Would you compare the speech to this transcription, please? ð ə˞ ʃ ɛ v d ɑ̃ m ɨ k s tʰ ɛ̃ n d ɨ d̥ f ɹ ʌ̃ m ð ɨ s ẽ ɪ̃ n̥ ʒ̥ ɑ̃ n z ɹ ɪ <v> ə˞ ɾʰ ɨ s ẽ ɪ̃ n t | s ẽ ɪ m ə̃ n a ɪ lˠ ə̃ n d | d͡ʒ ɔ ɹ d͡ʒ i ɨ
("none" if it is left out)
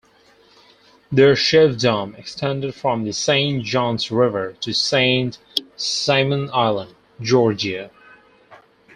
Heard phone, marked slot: v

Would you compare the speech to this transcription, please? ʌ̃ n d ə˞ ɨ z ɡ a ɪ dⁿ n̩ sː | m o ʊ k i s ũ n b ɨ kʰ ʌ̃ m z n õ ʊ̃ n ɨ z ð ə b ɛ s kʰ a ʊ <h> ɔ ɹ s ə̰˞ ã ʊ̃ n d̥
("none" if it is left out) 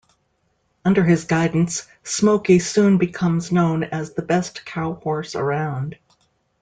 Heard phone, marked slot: h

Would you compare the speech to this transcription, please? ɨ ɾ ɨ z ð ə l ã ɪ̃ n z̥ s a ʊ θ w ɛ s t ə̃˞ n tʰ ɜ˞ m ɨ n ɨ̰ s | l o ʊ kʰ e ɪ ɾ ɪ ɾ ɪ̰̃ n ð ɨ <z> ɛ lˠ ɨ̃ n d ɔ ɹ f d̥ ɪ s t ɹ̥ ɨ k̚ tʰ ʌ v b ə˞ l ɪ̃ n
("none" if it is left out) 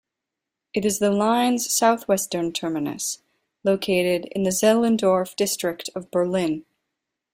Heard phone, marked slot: z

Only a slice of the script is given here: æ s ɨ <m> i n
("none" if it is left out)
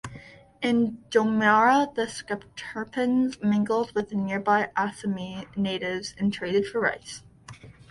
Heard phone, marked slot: m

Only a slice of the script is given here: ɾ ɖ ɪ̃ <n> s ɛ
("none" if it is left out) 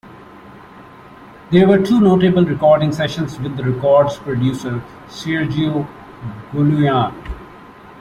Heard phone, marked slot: ŋ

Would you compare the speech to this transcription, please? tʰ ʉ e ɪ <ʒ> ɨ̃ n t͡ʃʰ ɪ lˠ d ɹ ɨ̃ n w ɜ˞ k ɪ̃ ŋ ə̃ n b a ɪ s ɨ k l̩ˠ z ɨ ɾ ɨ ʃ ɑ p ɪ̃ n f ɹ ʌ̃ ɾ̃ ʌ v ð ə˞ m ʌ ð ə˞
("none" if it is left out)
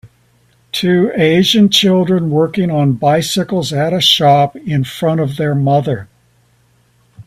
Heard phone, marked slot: ʒ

